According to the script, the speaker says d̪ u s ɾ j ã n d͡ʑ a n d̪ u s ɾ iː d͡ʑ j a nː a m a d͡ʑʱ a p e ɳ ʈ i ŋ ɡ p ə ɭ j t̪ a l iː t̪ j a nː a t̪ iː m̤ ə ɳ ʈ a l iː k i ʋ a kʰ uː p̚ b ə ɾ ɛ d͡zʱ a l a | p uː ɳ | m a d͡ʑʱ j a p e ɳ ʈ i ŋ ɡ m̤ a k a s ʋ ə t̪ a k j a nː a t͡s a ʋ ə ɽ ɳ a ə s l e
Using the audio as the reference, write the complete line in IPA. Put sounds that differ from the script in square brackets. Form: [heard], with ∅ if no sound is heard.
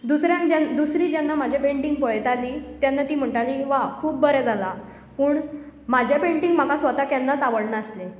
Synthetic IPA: d̪ u s ɾ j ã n d͡ʑ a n d̪ u s ɾ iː d͡ʑ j a nː a m a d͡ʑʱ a p e ɳ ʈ i ŋ ɡ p ə ɭ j t̪ a l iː t̪ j a nː a t̪ iː m̤ ə ɳ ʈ a l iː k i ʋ a kʰ uː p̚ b ə ɾ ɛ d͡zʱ a l a | p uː ɳ | m a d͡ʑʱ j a p e ɳ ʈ i ŋ ɡ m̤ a k a s ʋ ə t̪ a k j a nː a t͡s a ʋ ə ɽ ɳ a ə s l e